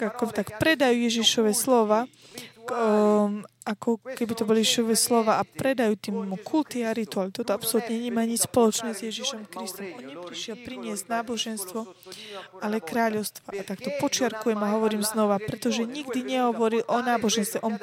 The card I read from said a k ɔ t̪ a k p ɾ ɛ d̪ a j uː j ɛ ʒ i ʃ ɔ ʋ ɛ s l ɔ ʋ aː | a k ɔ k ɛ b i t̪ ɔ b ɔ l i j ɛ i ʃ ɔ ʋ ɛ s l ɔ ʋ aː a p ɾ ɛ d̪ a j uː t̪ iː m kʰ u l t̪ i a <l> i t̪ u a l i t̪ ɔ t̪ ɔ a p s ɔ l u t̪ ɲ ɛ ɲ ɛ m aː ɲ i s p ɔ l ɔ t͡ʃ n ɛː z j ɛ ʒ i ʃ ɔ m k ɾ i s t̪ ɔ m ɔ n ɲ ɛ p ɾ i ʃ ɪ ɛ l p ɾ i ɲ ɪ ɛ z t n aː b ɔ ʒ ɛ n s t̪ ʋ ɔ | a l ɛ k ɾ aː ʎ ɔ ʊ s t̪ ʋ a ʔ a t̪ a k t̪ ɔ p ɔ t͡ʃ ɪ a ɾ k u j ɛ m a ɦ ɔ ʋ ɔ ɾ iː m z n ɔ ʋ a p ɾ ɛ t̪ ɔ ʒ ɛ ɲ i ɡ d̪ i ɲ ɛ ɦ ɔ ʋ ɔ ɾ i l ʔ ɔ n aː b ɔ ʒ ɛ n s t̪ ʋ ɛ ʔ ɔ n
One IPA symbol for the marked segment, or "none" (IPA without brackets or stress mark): ɾ